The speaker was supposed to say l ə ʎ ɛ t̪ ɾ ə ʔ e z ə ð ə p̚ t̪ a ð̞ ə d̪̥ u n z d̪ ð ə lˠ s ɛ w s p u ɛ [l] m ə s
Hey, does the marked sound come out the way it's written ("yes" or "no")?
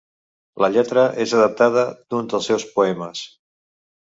no